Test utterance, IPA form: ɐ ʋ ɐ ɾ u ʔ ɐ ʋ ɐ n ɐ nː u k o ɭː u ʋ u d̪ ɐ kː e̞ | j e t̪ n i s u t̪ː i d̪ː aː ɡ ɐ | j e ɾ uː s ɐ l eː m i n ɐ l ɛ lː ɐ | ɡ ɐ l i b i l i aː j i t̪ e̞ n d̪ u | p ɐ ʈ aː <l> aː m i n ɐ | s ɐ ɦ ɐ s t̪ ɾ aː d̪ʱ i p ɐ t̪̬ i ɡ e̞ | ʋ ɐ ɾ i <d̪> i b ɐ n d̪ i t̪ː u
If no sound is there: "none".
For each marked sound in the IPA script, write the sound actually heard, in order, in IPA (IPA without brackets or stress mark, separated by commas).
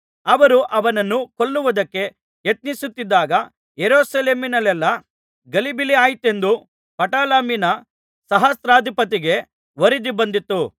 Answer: l, d̪